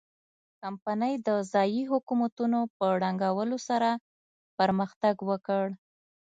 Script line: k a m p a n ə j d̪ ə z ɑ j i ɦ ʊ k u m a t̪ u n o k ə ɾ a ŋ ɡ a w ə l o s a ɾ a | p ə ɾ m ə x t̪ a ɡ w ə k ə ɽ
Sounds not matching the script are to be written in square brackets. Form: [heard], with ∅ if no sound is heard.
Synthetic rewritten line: k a m p a n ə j d̪ ə z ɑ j i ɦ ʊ k u m a t̪ u n o [p] ə [ɽ] a ŋ ɡ a w ə l o s a ɾ a | p ə ɾ m ə x t̪ a ɡ w ə k ə ɽ